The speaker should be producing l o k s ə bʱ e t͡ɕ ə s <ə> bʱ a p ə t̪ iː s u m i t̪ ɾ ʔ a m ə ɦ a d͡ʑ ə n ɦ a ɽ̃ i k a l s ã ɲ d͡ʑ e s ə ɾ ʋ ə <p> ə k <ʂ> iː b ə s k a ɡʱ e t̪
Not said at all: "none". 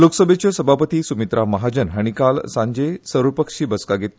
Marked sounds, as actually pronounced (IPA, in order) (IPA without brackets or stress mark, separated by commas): ə, p, ʂ